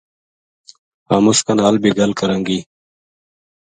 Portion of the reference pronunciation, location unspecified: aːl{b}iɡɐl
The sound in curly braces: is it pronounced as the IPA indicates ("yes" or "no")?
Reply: yes